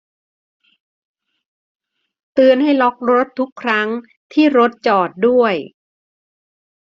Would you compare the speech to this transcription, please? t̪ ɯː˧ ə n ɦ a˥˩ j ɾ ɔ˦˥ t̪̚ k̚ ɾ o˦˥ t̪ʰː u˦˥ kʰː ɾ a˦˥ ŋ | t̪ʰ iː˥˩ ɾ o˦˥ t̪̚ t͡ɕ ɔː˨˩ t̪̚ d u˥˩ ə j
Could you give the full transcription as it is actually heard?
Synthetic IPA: t̪ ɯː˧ ə n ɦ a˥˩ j l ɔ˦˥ k̚ ɾ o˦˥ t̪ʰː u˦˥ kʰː ɾ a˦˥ ŋ | t̪ʰ iː˥˩ ɾ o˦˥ t̪̚ t͡ɕ ɔː˨˩ t̪̚ d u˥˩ ə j

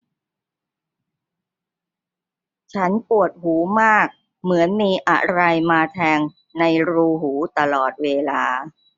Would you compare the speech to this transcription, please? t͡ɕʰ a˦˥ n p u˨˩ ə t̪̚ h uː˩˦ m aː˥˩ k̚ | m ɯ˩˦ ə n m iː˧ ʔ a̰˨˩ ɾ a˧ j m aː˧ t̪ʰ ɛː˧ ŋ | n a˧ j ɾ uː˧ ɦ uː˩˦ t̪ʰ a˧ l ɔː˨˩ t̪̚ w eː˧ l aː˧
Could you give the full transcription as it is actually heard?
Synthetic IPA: t͡ɕʰ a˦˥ n p u˨˩ ə t̪̚ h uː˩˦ m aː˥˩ k̚ | m ɯ˩˦ ə n m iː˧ ʔ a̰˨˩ ɾ a˧ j m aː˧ t̪ʰ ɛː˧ ŋ | n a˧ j ɾ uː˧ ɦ uː˩˦ t̪ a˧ l ɔː˨˩ t̪̚ w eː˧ l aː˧

